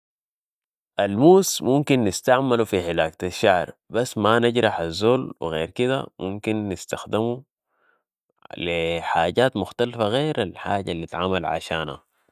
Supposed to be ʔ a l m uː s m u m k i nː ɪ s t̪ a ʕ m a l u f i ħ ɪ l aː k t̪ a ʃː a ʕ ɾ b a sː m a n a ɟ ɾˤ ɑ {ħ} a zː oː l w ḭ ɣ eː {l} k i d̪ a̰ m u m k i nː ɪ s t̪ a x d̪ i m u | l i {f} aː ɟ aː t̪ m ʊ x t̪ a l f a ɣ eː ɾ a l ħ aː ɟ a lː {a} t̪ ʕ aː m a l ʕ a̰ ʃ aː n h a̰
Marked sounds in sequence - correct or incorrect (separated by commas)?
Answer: correct, incorrect, incorrect, incorrect